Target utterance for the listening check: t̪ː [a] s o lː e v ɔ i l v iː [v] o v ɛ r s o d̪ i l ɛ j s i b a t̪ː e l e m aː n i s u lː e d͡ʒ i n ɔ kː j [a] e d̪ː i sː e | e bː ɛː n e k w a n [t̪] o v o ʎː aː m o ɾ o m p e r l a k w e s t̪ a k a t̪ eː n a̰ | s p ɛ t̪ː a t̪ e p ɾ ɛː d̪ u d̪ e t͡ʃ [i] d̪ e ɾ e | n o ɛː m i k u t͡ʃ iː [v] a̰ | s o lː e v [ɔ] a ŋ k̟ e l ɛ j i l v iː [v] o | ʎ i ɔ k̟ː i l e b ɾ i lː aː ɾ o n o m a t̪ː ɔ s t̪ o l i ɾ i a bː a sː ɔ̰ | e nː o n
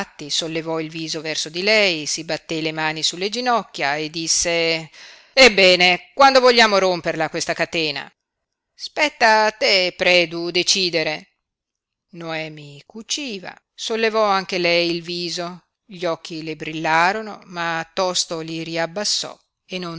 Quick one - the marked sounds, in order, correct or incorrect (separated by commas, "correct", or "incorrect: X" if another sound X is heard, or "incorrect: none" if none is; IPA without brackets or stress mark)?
incorrect: i, incorrect: z, correct, incorrect: d̪, incorrect: iː, correct, correct, incorrect: z